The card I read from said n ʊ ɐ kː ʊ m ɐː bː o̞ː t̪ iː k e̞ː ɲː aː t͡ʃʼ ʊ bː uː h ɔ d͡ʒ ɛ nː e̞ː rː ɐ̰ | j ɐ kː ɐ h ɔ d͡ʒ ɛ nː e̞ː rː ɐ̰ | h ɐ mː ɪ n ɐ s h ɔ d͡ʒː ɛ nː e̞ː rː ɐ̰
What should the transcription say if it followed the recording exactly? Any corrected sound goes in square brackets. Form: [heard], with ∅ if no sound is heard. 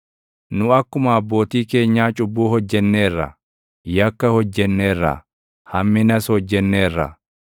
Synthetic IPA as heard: n ʊ ɐ kː ʊ m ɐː bː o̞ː t̪ iː k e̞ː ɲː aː t͡ʃʼ ʊ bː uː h ɔ [d͡ʒː] ɛ nː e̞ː rː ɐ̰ | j ɐ kː ɐ h ɔ [d͡ʒː] ɛ nː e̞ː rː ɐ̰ | h ɐ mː ɪ n ɐ s h ɔ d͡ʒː ɛ nː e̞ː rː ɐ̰